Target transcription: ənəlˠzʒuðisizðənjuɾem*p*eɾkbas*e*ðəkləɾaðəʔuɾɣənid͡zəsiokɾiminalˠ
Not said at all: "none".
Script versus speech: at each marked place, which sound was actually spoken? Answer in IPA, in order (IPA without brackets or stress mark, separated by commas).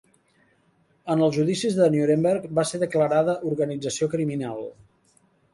b, e